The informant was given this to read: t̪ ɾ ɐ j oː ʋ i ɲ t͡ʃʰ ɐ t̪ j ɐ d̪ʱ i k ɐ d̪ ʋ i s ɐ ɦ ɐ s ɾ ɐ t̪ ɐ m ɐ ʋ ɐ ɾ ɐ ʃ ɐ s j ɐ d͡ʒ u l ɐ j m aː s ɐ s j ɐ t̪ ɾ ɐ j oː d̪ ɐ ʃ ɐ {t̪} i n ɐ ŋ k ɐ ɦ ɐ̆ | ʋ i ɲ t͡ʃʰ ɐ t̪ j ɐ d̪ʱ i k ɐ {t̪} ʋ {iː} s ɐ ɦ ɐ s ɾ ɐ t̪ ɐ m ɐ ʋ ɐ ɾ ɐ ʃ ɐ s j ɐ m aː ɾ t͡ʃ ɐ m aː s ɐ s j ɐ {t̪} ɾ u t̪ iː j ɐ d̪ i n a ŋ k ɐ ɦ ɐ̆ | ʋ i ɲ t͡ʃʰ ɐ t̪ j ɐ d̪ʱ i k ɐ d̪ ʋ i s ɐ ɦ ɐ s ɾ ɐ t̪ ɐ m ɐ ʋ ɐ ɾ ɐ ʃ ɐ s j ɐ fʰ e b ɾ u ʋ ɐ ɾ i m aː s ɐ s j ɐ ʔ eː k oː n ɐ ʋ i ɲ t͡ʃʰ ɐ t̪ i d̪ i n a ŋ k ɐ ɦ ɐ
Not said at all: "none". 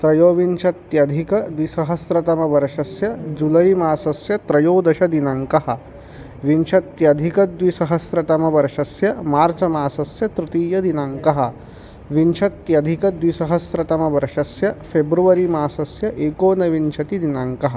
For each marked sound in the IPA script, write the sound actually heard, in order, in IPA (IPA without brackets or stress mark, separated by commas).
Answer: d̪, d̪, i, t̪